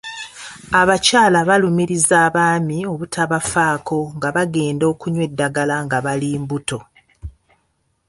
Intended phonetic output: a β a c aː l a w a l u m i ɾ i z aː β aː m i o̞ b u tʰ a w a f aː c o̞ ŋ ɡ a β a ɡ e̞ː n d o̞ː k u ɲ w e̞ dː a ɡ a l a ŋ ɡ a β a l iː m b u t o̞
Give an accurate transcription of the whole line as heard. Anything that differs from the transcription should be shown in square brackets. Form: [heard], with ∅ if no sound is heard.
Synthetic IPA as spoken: a β a c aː l a [β] a l u m i ɾ i z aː β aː m i o̞ [β] u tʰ a [β] a f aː [k] o̞ ŋ ɡ a β a ɡ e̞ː n d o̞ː k u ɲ w e̞ dː a ɡ a l a ŋ ɡ a β a l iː m b u t o̞